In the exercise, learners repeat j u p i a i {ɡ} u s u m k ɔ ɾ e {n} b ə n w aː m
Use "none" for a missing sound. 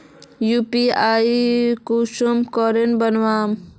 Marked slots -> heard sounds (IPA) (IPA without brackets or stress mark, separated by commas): k, n